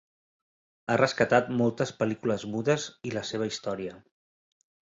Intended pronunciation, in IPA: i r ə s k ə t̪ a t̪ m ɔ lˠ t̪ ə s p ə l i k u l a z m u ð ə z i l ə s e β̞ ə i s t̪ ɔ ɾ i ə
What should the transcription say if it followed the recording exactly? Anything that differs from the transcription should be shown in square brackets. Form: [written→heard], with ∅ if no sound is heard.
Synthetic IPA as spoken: [i→a] r ə s k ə t̪ a t̪ m ɔ lˠ t̪ ə s p ə l i k u l [a→ə] z m u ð ə z i l ə s e β̞ ə i s t̪ ɔ ɾ i ə